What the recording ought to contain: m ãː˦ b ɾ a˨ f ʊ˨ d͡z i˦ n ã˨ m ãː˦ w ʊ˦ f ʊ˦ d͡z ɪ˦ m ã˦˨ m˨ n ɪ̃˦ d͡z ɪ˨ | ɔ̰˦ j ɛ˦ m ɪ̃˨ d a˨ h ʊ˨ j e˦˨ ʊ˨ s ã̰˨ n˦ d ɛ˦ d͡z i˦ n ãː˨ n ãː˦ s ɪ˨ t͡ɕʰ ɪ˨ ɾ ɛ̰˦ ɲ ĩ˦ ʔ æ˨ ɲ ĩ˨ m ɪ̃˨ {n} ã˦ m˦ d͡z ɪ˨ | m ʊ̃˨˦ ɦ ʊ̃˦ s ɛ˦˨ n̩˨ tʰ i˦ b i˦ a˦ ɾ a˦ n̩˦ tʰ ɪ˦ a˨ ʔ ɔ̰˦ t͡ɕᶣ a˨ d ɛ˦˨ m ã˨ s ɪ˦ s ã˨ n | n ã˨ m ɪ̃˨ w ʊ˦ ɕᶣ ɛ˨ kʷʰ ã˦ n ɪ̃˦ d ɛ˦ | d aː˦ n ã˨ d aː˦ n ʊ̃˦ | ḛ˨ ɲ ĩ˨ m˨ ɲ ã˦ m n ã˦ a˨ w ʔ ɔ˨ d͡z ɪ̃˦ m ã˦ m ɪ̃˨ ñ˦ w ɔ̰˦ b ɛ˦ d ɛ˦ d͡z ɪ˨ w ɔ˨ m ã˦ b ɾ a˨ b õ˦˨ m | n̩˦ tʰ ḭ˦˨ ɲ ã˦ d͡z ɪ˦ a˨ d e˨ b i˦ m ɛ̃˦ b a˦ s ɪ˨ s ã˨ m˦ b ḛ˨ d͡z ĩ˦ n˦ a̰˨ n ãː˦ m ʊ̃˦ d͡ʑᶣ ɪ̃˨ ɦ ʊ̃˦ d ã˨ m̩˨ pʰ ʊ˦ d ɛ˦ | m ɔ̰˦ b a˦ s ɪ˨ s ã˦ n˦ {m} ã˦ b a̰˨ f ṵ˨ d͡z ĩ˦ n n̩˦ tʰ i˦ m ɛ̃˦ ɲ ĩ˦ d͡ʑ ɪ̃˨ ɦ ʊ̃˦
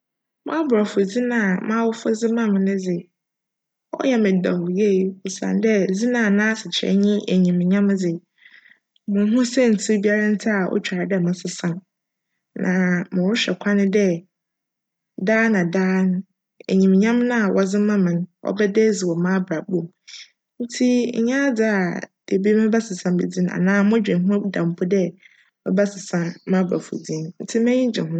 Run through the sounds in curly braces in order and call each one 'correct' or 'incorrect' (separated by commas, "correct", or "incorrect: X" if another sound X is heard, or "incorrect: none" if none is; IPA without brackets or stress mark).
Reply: incorrect: ɲ, correct